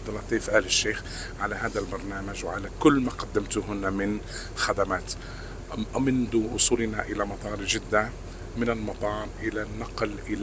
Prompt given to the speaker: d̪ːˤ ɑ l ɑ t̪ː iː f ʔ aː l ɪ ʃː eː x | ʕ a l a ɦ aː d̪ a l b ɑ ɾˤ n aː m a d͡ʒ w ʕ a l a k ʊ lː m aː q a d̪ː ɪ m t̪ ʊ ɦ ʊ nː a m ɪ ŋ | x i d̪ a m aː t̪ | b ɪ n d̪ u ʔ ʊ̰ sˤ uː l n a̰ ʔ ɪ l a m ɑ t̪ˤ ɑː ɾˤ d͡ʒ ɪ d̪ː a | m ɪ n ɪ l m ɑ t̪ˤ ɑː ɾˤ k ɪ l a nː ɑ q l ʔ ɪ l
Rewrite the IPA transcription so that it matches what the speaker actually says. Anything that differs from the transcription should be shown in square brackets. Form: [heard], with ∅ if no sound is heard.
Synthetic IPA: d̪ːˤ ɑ l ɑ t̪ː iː f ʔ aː l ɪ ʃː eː x | ʕ a l a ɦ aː d̪ a l b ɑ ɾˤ n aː m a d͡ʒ w ʕ a l a k ʊ lː m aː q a d̪ː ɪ m t̪ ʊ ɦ ʊ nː a m ɪ [n] | x [a] d̪ a m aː t̪ | [m] ɪ n d̪ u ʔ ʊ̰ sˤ uː l n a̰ ʔ ɪ l a m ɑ t̪ˤ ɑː ɾˤ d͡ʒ ɪ d̪ː a | m ɪ n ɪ l m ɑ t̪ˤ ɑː ɾˤ [ʔ] ɪ l a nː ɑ q l ʔ ɪ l